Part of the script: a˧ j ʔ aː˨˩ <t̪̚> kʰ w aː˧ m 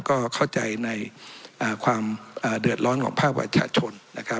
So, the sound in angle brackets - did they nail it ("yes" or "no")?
no